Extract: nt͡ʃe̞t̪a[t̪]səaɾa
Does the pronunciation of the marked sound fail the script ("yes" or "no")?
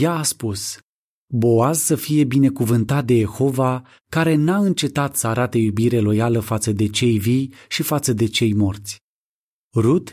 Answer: no